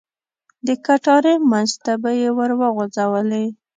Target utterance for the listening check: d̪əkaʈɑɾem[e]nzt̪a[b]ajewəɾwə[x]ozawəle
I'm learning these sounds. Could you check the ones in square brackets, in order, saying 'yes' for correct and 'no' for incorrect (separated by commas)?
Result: no, yes, no